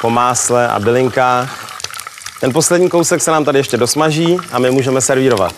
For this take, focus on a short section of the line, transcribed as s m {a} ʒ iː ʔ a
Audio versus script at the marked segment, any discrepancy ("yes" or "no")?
no